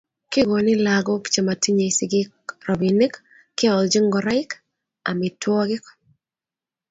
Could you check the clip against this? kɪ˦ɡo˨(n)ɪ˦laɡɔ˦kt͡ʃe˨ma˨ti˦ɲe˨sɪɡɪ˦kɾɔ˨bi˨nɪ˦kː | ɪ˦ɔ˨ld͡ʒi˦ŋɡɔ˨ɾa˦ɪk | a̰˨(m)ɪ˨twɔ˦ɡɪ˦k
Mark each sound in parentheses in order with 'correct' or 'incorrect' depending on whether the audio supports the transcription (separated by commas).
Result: correct, correct